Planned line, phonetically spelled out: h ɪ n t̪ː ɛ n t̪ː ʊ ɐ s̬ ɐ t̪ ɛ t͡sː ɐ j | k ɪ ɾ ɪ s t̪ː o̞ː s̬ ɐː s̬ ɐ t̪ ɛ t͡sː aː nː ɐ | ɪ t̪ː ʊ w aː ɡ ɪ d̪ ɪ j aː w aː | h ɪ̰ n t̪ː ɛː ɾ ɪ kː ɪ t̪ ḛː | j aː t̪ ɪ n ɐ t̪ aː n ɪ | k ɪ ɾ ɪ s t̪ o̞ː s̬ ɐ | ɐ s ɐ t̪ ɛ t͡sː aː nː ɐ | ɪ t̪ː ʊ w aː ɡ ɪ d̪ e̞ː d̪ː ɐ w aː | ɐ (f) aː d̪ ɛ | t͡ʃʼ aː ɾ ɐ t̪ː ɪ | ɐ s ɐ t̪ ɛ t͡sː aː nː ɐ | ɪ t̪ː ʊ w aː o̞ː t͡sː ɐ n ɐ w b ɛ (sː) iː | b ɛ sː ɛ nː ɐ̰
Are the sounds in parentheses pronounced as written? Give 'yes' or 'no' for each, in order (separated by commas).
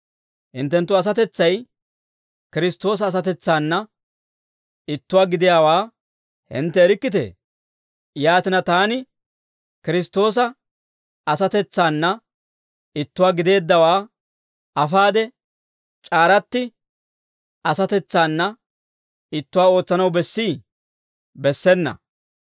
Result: yes, yes